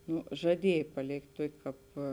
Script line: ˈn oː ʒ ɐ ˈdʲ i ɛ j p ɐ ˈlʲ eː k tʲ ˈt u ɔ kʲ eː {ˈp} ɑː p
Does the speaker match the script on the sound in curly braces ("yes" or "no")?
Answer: no